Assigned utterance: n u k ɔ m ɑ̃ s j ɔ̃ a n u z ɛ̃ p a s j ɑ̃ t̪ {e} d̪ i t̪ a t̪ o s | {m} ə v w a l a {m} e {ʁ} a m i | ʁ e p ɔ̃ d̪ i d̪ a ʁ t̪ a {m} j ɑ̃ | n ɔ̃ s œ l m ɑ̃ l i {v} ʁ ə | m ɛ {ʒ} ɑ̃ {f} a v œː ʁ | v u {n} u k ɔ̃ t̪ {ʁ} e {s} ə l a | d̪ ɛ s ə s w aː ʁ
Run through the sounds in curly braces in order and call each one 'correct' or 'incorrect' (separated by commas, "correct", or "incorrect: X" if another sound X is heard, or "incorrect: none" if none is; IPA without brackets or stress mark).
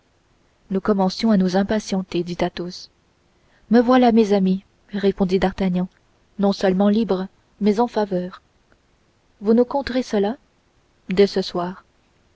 correct, correct, correct, incorrect: z, incorrect: ɲ, incorrect: b, incorrect: z, correct, correct, correct, correct